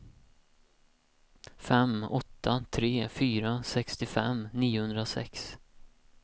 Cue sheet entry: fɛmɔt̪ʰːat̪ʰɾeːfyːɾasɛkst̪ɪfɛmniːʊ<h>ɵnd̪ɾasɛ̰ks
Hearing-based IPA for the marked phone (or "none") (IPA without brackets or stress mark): h